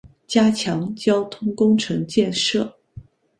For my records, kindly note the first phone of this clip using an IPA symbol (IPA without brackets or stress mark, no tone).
t͡ɕ